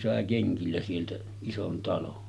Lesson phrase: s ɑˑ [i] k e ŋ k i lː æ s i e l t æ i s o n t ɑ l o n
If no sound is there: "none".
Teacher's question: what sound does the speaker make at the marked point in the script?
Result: e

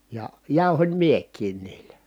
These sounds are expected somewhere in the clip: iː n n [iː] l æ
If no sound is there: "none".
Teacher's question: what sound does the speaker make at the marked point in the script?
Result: iː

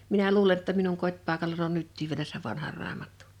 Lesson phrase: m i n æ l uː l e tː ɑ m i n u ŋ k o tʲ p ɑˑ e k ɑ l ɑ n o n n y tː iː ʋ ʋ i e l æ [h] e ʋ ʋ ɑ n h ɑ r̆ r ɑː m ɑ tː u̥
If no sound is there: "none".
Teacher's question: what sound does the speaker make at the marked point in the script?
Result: s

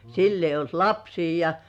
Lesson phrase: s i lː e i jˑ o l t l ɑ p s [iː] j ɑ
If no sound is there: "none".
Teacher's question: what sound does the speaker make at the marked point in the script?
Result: iː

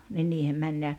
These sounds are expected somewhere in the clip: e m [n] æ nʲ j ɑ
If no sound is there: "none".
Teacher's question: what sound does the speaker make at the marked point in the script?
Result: m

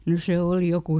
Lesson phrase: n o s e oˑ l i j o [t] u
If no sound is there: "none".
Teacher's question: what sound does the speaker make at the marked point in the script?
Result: k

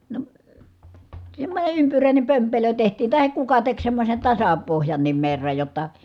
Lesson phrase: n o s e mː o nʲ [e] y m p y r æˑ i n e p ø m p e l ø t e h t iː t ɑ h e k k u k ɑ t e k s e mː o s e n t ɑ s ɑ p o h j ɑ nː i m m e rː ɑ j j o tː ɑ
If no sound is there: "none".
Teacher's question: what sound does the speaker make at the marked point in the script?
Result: e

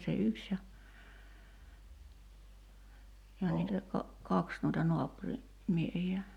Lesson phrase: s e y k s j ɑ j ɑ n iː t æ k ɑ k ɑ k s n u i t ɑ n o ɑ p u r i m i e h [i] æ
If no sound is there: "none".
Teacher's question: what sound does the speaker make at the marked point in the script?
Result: i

